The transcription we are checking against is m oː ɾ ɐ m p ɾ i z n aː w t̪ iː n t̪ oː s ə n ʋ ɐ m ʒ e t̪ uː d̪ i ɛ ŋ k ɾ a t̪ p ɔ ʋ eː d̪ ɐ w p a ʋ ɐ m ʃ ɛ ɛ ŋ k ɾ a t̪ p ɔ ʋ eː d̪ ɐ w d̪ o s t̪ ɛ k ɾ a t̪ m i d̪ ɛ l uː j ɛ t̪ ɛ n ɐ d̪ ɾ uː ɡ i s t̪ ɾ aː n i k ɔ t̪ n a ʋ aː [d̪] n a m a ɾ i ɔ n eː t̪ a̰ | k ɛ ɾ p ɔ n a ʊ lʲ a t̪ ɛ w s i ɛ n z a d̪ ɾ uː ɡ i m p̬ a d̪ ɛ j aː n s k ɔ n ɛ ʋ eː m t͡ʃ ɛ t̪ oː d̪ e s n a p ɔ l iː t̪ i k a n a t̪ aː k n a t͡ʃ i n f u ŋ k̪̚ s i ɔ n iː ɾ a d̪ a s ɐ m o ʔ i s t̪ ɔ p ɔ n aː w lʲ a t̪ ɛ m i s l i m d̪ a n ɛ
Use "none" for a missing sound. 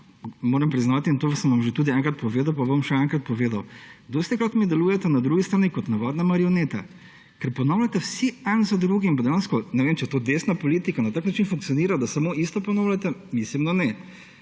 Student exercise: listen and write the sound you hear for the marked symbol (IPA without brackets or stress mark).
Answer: d̪